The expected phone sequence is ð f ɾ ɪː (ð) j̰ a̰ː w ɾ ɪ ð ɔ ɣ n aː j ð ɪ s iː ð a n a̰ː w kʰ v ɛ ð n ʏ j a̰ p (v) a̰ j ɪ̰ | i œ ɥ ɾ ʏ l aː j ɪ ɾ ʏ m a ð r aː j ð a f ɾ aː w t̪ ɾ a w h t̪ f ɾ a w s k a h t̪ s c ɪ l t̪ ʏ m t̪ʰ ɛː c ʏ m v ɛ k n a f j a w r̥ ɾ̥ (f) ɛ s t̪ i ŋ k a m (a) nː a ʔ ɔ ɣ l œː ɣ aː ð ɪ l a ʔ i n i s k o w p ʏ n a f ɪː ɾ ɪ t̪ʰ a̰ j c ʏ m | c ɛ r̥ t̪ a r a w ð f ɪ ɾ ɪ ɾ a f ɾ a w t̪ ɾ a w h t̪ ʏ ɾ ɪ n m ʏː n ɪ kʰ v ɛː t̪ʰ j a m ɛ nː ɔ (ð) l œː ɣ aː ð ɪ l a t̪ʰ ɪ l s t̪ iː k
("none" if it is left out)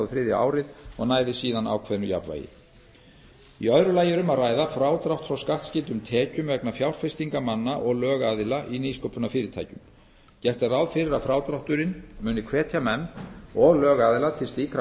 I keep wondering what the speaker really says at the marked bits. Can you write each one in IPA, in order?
ð, v, f, a, ɣ

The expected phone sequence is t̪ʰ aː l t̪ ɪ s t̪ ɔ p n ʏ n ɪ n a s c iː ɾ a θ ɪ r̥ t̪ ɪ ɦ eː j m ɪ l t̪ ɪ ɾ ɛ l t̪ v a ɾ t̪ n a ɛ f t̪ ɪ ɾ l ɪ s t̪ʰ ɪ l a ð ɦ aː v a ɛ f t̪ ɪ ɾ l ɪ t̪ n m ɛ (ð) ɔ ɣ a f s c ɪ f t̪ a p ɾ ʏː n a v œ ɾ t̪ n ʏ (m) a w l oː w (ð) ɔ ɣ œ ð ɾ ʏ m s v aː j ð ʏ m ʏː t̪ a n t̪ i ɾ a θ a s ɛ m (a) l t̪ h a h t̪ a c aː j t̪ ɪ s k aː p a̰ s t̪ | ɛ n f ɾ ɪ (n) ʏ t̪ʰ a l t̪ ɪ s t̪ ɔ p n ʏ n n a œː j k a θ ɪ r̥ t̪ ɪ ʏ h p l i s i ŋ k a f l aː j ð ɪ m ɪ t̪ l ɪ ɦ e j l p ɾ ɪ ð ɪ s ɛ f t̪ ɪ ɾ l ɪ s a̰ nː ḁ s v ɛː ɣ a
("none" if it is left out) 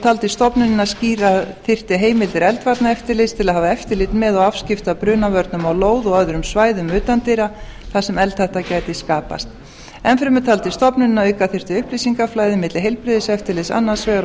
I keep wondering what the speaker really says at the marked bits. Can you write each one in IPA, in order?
ð, m, ð, ɛ, m

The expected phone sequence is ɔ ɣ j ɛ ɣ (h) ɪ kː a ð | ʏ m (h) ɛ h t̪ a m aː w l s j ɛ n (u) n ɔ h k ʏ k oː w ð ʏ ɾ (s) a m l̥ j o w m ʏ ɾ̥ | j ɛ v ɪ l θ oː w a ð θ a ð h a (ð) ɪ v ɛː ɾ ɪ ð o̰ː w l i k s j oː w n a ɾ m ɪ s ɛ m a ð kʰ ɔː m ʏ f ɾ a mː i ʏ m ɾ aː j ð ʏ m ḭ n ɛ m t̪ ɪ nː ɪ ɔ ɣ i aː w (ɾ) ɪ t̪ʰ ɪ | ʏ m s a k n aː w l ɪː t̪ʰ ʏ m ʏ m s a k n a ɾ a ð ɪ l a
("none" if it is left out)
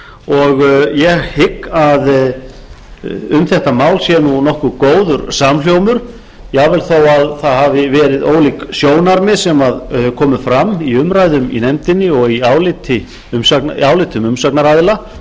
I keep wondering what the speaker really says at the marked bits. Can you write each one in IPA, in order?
h, θ, u, s, v, l

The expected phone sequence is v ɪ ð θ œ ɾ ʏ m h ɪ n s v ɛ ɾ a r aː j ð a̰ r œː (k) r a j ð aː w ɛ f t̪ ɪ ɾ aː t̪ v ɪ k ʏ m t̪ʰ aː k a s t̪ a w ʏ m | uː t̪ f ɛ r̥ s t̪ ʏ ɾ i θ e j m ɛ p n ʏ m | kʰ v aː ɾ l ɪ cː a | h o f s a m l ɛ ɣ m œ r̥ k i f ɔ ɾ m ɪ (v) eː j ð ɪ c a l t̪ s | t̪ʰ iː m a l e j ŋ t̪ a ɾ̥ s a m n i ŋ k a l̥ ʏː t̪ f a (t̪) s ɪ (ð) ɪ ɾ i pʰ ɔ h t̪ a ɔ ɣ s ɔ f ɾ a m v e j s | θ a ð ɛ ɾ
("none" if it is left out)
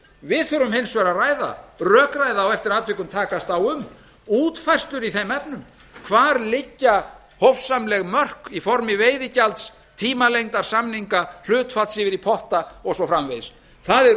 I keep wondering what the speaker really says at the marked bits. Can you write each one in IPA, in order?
k, v, t̪, v

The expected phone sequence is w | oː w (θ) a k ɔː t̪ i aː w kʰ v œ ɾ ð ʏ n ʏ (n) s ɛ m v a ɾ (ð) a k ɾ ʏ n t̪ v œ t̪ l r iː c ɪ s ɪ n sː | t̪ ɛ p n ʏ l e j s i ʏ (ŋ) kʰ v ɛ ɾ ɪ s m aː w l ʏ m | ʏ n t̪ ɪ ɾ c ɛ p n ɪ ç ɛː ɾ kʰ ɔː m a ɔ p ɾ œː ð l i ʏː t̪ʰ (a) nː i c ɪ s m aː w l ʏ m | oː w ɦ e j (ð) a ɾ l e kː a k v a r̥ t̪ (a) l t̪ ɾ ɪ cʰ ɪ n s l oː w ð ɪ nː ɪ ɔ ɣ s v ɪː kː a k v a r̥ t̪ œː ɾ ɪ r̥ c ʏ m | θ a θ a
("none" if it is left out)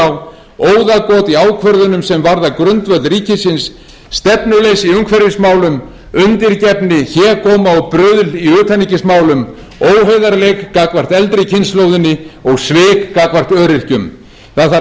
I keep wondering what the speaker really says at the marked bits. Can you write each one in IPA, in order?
ð, m, ð, ŋ, a, ð, ɛ

